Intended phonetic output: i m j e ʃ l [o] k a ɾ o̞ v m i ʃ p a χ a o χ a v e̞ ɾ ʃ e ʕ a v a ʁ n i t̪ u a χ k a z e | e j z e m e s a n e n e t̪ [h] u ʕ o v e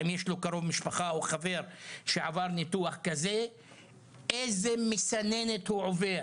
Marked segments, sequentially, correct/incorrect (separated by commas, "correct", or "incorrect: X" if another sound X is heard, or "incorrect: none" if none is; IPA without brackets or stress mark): correct, correct